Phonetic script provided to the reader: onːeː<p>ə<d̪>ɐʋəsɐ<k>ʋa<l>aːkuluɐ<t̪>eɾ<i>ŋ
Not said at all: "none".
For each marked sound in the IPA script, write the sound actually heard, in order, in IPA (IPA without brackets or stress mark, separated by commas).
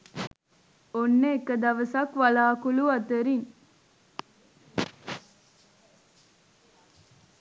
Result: k, d̪, k, l, t̪, i